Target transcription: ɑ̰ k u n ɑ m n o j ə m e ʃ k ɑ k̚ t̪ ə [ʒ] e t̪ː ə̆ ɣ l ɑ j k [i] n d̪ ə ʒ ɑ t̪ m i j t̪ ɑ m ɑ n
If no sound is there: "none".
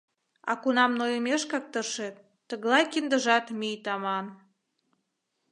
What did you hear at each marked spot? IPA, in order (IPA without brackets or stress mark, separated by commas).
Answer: ʃ, i